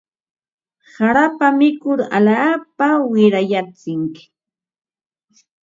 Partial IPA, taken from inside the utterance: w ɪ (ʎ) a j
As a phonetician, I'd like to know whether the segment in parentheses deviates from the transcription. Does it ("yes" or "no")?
yes